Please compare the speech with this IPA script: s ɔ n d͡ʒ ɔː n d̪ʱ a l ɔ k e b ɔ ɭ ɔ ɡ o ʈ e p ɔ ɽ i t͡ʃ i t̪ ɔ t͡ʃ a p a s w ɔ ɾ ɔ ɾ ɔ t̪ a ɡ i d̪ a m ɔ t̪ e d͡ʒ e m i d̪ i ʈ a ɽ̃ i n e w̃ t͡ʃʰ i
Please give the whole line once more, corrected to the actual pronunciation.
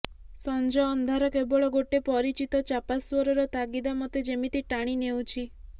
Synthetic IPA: s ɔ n d͡ʒ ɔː n d̪ʱ a ɾ ɔ k e b ɔ ɭ ɔ ɡ o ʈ e p ɔ ɾ i t͡ʃ i t̪ ɔ t͡ʃ a p a s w ɔ ɾ ɔ ɾ ɔ t̪ a ɡ i d̪ a m ɔ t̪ e d͡ʒ e m i t̪ i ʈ a ɽ̃ i n e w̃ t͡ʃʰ i